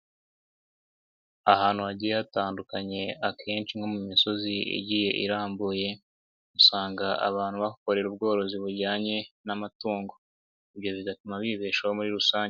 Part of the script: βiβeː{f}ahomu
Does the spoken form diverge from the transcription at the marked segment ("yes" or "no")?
yes